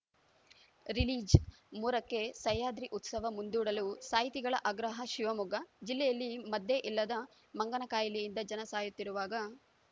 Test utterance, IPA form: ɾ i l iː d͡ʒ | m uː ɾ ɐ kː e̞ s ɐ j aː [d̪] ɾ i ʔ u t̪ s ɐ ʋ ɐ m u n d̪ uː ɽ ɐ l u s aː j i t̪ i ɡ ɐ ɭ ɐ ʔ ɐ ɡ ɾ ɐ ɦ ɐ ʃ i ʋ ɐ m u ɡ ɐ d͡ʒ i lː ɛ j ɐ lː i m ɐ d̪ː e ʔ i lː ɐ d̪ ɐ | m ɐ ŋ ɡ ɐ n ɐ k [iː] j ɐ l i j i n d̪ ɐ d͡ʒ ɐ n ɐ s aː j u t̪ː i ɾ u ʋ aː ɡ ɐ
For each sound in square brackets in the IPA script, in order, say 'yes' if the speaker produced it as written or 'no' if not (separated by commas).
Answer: yes, no